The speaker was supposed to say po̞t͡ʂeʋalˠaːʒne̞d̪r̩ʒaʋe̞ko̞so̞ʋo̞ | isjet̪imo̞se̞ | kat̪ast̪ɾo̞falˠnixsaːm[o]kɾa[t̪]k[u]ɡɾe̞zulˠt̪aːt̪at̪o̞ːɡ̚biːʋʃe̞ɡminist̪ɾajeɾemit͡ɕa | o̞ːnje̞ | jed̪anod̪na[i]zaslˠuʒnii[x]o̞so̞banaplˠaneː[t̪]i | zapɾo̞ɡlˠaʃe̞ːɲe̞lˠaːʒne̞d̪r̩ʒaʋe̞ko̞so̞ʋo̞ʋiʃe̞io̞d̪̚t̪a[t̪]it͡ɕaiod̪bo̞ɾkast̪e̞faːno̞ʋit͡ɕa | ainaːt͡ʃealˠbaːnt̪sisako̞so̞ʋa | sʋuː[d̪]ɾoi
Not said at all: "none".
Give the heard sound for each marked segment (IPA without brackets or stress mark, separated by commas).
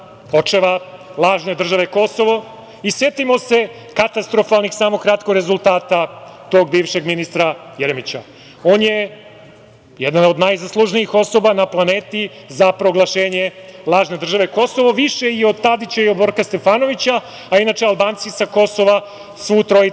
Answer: o, t̪, o, j, x, t̪, d̪, t̪